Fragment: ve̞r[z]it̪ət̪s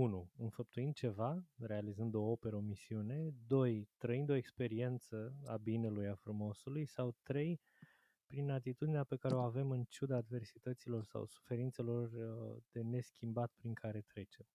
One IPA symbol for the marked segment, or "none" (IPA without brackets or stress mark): s